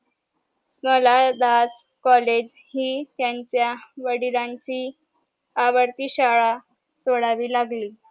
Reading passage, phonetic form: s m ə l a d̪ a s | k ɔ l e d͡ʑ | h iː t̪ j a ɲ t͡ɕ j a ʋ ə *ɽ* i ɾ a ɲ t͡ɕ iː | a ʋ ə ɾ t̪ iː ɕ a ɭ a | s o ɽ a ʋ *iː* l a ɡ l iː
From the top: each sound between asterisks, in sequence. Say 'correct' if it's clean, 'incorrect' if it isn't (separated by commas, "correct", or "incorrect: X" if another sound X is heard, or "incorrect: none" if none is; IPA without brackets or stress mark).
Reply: correct, correct